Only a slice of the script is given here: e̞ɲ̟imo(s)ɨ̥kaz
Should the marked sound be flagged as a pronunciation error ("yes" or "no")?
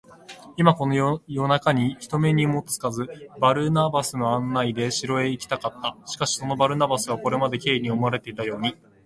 yes